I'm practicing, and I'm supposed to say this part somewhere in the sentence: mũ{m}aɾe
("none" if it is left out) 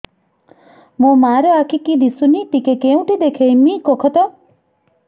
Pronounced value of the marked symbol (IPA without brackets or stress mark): m